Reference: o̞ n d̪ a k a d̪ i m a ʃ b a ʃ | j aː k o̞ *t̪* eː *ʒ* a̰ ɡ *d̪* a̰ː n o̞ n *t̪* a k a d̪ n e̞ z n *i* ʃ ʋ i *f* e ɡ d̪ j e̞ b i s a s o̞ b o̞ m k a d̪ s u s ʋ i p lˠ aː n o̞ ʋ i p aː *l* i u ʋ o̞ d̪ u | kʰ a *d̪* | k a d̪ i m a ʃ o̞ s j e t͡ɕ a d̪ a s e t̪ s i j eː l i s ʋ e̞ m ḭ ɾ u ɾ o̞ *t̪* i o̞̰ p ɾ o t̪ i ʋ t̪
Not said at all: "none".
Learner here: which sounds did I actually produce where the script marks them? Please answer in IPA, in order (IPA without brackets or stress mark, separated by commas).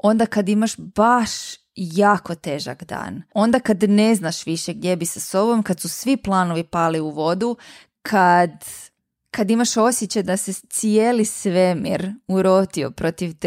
t̪, ʒ, d̪, d̪, a, ʃ, l, d̪, t̪